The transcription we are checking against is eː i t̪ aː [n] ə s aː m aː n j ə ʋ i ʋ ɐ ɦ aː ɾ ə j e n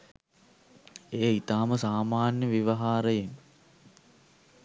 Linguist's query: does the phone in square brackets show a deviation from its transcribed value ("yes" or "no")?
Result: yes